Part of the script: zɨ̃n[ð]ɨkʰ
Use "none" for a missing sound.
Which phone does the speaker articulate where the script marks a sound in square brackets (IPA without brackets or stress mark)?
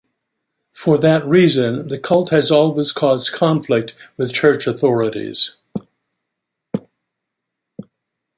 ð